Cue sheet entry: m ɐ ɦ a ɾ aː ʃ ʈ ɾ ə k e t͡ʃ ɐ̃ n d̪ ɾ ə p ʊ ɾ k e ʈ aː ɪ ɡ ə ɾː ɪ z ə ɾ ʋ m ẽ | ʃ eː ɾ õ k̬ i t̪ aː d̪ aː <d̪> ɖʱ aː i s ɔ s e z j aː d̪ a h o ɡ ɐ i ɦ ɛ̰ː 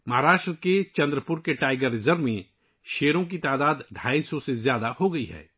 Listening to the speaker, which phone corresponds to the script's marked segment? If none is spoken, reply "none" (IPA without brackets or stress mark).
d̪